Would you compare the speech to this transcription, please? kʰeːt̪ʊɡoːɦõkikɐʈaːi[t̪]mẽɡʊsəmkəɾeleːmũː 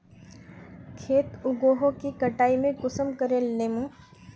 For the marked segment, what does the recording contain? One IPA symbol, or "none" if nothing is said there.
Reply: none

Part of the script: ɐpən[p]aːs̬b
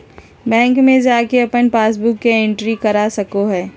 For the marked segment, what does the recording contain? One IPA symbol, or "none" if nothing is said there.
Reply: p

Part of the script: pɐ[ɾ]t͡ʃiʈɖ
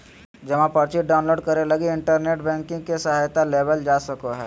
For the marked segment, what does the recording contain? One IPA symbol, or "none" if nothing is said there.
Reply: ɾ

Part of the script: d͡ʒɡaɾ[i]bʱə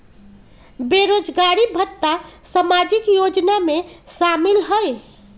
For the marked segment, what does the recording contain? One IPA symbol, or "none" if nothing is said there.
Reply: i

